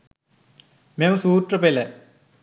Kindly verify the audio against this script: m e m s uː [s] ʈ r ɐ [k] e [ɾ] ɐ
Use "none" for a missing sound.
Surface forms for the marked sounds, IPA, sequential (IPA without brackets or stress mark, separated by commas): none, p, l